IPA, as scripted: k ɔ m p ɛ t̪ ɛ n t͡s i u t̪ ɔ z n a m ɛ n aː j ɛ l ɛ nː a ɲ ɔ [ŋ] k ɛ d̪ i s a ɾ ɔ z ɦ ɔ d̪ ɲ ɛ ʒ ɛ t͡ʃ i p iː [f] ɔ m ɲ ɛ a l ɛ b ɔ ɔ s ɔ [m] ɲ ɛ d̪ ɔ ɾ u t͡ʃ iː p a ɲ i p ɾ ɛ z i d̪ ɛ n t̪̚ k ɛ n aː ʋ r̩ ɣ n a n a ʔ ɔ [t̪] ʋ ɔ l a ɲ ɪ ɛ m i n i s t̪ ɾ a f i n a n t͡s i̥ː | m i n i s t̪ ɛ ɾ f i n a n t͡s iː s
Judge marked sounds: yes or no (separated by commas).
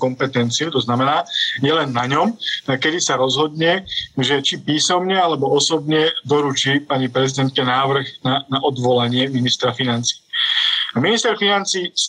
no, no, no, no